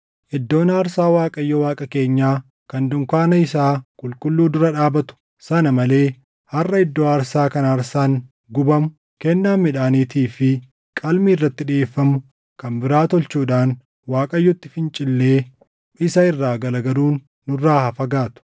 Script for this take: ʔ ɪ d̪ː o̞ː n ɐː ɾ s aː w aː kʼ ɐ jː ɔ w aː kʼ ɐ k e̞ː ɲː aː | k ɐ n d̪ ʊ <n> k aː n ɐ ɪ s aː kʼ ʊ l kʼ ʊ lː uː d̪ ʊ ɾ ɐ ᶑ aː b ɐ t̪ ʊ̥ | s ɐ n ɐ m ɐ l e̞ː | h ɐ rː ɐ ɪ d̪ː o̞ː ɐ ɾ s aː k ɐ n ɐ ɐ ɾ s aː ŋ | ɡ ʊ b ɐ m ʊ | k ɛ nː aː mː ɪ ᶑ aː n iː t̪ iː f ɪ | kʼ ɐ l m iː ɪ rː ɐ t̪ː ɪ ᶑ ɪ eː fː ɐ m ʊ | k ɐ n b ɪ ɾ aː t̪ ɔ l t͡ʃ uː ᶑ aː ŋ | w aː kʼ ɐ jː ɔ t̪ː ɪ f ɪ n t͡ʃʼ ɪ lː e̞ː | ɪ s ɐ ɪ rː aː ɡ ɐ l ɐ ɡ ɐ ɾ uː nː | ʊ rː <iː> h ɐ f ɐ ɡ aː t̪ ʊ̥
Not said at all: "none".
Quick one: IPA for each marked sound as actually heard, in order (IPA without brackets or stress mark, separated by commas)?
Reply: ŋ, aː